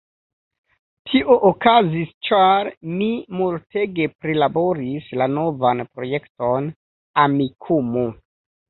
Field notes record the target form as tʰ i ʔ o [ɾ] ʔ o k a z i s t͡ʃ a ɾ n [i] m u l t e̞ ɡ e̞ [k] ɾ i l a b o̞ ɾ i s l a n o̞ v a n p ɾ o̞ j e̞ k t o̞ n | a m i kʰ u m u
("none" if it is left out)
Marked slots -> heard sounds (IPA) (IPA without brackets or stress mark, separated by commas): none, i, p